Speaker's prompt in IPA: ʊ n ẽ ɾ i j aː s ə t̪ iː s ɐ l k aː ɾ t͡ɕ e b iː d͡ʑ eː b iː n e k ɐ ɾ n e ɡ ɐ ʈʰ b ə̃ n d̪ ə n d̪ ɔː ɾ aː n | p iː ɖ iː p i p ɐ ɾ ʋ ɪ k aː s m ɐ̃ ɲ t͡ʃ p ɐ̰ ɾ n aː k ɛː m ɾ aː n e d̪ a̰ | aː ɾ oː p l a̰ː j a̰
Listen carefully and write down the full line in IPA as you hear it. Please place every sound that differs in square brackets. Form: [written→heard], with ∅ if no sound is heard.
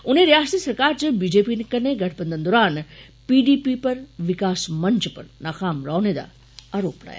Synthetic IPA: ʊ n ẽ ɾ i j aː s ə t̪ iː s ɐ [l→ɾ] k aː ɾ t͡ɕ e b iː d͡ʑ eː [b→p] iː n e k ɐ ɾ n e ɡ ɐ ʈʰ b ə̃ n d̪ ə n d̪ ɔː ɾ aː n | p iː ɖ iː p i p ɐ ɾ ʋ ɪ k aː s m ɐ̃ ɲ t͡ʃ p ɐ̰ ɾ n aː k [ɛː→aː] m ɾ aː n e d̪ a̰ | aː ɾ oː p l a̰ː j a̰

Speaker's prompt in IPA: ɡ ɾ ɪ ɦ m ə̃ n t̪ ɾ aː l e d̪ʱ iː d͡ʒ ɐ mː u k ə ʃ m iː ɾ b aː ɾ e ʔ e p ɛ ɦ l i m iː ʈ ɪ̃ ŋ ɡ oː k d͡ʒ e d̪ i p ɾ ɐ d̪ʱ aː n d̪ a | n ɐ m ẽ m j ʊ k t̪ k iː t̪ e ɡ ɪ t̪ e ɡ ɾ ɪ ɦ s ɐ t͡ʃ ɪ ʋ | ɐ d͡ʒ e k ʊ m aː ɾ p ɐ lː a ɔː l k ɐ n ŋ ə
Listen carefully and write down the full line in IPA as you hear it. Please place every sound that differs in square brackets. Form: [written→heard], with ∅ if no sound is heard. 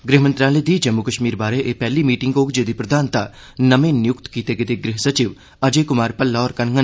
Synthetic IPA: ɡ ɾ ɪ ɦ m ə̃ n t̪ ɾ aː l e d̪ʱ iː d͡ʒ ɐ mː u k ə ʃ m iː ɾ b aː ɾ e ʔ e p ɛ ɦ l i m iː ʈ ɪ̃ ŋ ɡ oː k d͡ʒ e d̪ i p ɾ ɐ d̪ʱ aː n [d̪→t̪] a | n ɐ m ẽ [m→n] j ʊ k t̪ k iː t̪ e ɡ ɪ t̪ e ɡ ɾ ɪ ɦ s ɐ t͡ʃ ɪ ʋ | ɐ d͡ʒ e k ʊ m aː ɾ p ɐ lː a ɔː [l→ɾ] k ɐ n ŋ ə

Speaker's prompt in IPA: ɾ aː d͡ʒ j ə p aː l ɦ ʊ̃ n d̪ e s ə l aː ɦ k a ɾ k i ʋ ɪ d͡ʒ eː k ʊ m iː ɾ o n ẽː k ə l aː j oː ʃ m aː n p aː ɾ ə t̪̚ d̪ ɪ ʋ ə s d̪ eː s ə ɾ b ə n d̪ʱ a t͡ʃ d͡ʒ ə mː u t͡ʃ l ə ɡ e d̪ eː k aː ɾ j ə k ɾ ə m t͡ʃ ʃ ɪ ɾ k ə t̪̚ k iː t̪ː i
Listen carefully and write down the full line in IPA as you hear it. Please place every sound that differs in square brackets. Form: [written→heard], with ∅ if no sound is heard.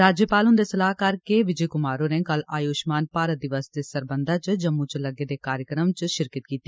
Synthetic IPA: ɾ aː d͡ʒ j ə p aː l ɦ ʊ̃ n d̪ e s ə l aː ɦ k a ɾ k [i→e] ʋ ɪ d͡ʒ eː k ʊ m [iː→aː] ɾ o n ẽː k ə l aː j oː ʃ m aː n p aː ɾ ə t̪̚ d̪ ɪ ʋ ə s d̪ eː s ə ɾ b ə n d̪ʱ a t͡ʃ d͡ʒ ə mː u t͡ʃ l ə ɡ e d̪ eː k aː ɾ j ə k ɾ ə m t͡ʃ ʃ ɪ ɾ k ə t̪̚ k iː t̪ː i

